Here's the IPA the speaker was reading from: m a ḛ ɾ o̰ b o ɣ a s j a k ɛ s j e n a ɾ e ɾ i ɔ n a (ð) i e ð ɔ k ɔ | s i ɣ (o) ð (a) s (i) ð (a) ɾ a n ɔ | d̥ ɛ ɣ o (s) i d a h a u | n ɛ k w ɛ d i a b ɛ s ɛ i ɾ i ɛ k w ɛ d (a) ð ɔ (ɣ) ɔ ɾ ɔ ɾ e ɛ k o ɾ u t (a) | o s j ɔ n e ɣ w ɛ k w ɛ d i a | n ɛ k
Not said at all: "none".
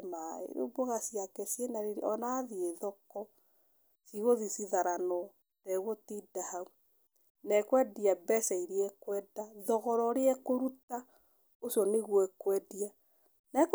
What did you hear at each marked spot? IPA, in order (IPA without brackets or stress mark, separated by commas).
ð, o, i, i, a, t, a, ɣ, a